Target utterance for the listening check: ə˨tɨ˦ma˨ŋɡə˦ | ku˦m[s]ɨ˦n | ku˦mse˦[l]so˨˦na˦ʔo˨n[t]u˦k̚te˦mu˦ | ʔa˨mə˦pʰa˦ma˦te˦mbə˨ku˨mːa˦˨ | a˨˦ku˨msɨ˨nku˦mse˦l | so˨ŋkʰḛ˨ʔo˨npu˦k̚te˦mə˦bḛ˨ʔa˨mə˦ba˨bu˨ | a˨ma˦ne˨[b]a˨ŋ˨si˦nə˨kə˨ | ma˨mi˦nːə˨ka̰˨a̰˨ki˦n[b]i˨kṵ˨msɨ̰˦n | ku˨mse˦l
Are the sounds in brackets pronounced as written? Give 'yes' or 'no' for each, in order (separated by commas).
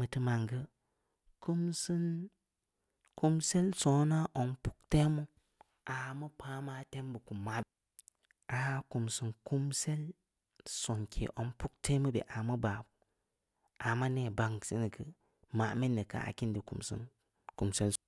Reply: yes, yes, no, yes, no